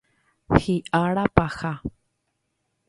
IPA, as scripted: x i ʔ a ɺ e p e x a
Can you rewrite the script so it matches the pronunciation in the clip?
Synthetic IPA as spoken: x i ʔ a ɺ a p a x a